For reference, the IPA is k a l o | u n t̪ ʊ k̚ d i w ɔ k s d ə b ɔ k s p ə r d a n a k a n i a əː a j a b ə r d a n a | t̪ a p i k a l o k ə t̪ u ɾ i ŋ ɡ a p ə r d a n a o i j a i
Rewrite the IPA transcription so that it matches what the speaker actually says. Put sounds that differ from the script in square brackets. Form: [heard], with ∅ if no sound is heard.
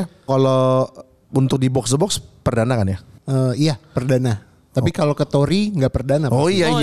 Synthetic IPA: k a l o | u n t̪ ʊ k̚ d i [b] ɔ k s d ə b ɔ k s p ə r d a n a k a n [j] a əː [i] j a [p] ə r d a n a | t̪ a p i k a l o k ə t̪ [o] ɾ i ŋ ɡ a p ə r d a n a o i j a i